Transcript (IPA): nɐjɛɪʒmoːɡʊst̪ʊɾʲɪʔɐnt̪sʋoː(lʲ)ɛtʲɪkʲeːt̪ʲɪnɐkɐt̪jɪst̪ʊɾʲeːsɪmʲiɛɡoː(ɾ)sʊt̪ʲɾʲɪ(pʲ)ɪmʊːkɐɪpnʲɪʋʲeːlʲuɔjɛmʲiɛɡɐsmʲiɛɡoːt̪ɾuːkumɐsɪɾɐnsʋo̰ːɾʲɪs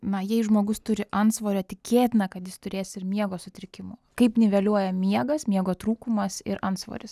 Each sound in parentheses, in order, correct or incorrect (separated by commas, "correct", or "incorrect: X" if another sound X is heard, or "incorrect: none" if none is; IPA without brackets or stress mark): incorrect: ɾʲ, incorrect: none, incorrect: kʲ